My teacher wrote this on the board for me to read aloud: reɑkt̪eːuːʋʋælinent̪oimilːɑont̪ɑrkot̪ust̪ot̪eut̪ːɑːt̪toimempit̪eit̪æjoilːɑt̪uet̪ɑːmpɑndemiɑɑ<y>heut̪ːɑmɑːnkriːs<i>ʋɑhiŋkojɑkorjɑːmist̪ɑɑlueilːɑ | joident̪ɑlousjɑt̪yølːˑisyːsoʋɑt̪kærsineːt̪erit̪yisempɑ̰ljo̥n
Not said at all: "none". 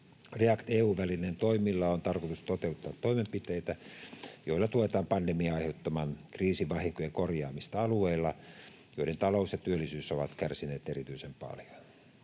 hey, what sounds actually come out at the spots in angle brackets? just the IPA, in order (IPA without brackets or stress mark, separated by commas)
i, i